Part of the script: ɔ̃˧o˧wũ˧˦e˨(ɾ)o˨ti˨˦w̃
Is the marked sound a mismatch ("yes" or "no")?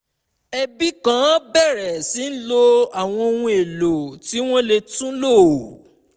yes